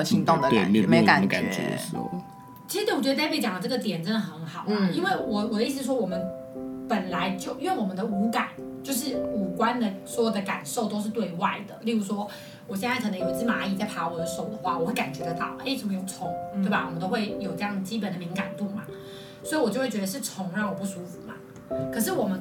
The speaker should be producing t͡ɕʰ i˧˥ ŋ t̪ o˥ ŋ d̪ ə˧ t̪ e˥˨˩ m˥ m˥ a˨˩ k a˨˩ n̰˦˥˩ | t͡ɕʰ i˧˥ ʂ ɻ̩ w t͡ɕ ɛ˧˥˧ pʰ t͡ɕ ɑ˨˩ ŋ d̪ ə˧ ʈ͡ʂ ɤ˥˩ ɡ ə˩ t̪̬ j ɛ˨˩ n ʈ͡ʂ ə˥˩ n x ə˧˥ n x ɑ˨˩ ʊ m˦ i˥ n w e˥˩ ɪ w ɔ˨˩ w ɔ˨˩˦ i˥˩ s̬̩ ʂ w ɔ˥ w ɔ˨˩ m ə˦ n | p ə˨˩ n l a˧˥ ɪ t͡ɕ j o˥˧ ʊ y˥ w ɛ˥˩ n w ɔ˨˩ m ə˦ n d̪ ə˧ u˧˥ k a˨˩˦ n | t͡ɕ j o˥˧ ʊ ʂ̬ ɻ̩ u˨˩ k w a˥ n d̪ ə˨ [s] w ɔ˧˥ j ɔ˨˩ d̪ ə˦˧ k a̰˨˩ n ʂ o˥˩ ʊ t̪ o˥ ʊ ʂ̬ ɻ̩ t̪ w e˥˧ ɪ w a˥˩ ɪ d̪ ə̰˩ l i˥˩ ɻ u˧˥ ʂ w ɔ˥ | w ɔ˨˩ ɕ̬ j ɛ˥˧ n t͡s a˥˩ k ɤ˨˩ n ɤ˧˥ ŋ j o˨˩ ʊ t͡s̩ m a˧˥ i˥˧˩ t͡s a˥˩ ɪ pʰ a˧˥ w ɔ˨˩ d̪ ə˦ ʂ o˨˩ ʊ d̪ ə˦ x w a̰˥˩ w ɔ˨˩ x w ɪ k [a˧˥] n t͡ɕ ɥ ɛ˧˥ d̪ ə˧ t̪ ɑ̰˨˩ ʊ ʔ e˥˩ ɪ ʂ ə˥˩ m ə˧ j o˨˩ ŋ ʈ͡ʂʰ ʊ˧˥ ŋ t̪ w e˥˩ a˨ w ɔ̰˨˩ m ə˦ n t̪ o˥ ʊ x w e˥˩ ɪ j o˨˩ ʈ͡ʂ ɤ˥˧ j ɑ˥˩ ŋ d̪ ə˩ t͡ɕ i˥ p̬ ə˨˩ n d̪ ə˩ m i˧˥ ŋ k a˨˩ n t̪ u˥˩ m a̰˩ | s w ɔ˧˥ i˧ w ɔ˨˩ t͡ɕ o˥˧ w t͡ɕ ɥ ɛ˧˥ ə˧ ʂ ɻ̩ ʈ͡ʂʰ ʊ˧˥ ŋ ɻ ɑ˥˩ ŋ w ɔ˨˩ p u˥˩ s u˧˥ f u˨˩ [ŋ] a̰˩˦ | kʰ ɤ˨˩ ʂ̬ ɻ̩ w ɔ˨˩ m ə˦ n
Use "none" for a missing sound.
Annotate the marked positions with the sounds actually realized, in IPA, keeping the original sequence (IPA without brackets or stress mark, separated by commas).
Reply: s, a˨˩, m